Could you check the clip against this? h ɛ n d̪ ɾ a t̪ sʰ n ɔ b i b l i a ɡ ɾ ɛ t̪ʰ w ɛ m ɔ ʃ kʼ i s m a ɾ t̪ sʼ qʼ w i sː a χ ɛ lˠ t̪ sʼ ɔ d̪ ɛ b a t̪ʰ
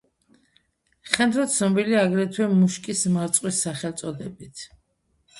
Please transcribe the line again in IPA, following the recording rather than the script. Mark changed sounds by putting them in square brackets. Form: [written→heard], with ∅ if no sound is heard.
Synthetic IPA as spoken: [h→χ] ɛ n d̪ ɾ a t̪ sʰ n ɔ b i [b→∅] l i a ɡ ɾ ɛ t̪ʰ w ɛ m [ɔ→u] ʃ kʼ i s m a ɾ t̪ sʼ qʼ w i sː a χ ɛ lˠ t̪ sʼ ɔ d̪ ɛ b [a→i] t̪ʰ